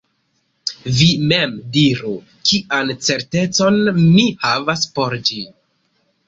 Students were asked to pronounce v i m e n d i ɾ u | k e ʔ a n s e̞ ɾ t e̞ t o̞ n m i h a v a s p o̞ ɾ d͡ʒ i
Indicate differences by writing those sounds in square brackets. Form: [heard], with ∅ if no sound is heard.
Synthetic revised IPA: v i m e [m] d i ɾ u | k [i] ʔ a n [t͡s] e̞ ɾ t e̞ [t͡s] o̞ n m i h a v a s p o̞ ɾ d͡ʒ i